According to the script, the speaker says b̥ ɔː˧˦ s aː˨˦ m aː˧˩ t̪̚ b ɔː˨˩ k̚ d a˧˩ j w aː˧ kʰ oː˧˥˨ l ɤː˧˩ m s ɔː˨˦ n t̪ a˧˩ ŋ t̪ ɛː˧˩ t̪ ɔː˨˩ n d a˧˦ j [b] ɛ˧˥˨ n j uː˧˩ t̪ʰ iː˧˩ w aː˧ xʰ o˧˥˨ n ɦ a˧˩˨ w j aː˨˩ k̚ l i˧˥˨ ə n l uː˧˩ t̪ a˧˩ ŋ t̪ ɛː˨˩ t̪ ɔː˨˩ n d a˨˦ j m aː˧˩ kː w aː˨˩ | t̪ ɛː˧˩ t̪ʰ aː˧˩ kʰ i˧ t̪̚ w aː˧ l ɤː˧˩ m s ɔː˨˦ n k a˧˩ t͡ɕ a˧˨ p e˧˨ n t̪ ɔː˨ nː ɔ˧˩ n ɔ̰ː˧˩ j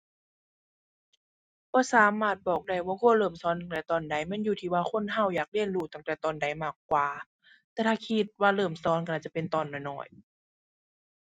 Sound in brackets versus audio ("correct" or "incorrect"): incorrect